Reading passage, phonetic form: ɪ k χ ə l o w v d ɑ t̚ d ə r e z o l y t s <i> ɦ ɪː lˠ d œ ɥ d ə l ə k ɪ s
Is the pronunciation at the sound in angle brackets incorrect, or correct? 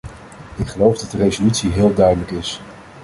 correct